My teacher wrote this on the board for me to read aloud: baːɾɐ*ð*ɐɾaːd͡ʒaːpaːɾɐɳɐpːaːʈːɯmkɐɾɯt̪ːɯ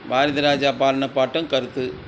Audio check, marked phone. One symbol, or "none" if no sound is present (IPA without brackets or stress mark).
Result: ð